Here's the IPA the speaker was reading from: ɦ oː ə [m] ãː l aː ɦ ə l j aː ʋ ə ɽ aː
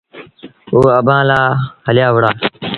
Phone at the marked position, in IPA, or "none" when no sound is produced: b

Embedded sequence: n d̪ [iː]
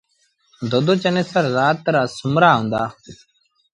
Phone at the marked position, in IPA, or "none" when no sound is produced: aː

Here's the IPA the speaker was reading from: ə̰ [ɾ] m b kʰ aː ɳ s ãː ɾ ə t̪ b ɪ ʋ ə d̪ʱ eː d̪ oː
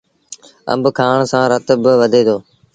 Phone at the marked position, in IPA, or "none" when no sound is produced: none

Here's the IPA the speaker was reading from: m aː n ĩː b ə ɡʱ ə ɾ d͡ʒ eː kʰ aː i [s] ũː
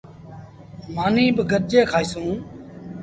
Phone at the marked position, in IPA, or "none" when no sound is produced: s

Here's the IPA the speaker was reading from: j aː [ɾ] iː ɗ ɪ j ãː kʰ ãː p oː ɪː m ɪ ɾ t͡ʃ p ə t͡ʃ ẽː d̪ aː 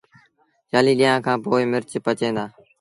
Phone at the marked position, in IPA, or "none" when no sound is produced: l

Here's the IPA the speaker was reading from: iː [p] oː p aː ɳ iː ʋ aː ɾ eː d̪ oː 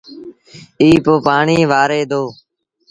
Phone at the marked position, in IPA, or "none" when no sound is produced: p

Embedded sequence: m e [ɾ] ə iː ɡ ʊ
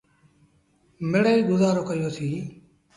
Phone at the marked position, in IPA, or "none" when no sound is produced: ɽ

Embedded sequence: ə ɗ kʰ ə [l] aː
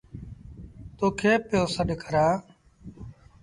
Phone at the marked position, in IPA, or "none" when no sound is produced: ɾ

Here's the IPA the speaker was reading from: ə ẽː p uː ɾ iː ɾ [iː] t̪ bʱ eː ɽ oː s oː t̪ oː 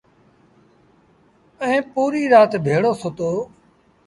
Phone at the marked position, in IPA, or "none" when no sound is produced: aː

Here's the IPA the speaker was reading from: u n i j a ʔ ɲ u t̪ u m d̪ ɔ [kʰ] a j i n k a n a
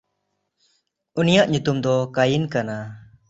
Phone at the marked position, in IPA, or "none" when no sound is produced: k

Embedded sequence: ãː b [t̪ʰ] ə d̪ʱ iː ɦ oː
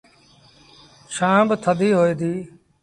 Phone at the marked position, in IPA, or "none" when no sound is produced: t̪ʰ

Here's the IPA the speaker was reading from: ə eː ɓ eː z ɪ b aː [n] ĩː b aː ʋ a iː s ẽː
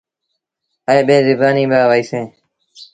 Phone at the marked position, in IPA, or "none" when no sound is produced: n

